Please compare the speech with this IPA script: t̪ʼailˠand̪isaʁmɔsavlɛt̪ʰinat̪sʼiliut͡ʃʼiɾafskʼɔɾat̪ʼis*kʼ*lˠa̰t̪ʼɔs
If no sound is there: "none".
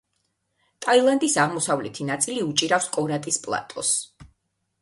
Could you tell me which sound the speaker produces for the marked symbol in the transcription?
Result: pʼ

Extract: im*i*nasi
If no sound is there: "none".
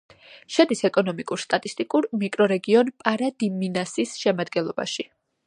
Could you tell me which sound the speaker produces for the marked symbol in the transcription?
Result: i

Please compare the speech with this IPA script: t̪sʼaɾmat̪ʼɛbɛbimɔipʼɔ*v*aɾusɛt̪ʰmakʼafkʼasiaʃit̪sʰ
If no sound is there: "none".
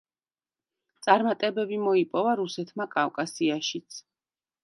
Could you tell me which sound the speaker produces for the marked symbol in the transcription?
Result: v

